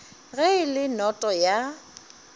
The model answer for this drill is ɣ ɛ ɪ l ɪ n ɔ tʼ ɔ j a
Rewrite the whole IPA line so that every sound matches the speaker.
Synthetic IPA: ɣ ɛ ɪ l ɪ n ɔ tʼ ɔ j a

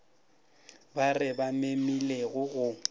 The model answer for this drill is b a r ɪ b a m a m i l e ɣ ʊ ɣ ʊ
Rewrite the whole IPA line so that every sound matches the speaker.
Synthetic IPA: b a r ɪ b a m e m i l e ɣ ʊ ɣ ʊ

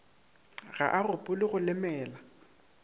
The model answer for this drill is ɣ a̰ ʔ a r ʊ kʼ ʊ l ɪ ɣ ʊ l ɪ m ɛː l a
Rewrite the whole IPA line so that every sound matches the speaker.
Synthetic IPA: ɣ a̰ ʔ a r ʊ pʼ ʊ l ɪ ɣ ʊ l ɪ m ɛː l a

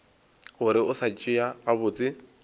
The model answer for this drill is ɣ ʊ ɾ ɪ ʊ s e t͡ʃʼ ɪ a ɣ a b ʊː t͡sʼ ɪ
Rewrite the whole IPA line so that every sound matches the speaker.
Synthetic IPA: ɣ ʊ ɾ ɪ ʊ s a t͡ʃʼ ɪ a ɣ a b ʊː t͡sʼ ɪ

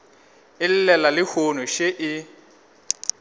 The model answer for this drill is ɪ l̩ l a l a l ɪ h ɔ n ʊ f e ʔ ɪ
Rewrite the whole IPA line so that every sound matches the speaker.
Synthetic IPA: ɪ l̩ l ɛ l a l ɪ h o n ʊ ʃ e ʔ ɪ

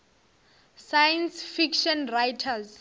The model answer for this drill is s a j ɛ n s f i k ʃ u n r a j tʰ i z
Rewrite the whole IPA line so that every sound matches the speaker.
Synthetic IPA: s a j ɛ n s f i k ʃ ɔ n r a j tʰ a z

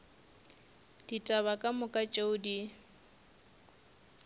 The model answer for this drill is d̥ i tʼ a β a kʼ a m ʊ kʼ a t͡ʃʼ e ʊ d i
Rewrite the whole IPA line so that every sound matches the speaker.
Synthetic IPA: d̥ i tʼ a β a kʼ a m ʊ kʼ a t͡ʃʼ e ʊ d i

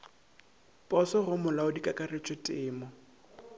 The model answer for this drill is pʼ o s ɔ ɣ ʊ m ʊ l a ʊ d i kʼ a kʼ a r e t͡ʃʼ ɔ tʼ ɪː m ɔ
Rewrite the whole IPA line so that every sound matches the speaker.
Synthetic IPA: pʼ ɔ s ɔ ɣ ʊ m ʊ l a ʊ d i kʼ a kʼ a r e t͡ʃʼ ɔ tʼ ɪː m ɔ

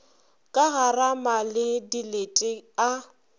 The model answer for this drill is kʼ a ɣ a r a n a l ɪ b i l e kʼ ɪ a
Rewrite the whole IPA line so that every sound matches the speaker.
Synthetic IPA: kʼ a ɣ a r a m a l ɪ d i l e tʼ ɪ a

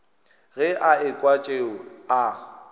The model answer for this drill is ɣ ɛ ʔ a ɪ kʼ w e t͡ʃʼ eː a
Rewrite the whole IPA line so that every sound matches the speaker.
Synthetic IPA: ɣ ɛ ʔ a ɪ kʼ w a t͡ʃʼ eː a

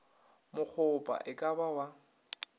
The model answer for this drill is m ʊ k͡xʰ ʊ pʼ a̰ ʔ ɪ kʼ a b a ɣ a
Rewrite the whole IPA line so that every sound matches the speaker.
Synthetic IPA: m ʊ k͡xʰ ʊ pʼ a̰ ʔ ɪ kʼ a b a w a

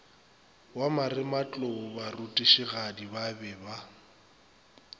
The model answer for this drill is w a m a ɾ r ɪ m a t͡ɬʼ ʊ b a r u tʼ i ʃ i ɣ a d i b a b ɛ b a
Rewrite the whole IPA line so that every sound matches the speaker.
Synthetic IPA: w a m a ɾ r ɪ m a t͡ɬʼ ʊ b a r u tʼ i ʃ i ɣ a d i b a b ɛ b a

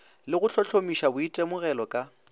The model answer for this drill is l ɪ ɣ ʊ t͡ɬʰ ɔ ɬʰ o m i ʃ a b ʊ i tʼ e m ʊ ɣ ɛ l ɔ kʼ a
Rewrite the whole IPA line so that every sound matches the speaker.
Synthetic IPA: l ɪ ɣ ʊ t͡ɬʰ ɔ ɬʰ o m i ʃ a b ʊ i tʼ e m ʊ ɣ ɛ l ɔ kʼ a

